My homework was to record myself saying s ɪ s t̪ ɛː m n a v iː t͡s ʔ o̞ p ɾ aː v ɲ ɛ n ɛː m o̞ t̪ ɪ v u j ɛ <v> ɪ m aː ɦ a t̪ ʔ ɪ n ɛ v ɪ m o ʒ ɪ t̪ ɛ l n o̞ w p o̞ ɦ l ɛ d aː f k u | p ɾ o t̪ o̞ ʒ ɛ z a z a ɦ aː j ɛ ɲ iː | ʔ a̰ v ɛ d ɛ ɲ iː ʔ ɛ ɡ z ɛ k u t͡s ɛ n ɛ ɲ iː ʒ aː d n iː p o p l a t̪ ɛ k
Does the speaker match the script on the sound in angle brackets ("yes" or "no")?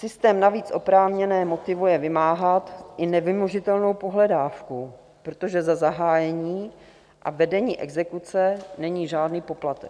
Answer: yes